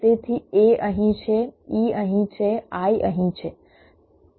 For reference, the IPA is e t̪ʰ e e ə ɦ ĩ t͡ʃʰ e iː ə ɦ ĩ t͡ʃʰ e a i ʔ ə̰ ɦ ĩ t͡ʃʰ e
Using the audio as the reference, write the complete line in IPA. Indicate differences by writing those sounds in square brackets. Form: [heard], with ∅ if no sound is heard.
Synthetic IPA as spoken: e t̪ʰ [i] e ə ɦ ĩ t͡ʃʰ e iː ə ɦ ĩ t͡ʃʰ e a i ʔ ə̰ ɦ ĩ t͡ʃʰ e